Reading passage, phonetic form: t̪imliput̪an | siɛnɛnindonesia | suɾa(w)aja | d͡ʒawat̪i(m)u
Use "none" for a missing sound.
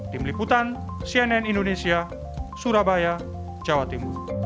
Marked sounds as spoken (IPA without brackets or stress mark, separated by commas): b, m